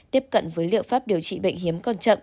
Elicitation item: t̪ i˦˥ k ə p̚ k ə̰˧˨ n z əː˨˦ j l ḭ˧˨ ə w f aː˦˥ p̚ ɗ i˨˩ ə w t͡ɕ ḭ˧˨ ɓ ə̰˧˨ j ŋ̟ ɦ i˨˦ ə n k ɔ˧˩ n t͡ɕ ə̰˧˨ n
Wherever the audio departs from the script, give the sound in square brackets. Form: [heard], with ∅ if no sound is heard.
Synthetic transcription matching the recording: t̪ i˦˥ [∅] ə p̚ k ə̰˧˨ n [v] əː˨˦ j l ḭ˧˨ ə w f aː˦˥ p̚ ɗ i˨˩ ə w t͡ɕ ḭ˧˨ ɓ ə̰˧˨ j ŋ̟ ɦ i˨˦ ə [m] k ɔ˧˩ n t͡ɕ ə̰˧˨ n